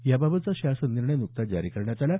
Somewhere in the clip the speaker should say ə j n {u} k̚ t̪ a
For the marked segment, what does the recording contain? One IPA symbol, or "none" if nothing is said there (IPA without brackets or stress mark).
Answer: u